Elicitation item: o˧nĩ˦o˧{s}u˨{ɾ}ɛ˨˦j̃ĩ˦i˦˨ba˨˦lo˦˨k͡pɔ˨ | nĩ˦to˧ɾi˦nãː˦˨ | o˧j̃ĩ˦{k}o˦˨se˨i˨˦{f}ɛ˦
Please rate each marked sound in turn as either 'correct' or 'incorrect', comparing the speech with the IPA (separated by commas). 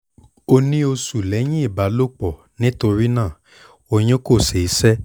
correct, incorrect, correct, incorrect